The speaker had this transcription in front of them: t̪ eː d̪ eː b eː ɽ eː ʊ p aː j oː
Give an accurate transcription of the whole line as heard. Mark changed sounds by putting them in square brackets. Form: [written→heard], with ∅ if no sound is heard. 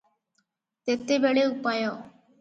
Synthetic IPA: t̪ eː [d̪→t̪] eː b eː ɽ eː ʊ p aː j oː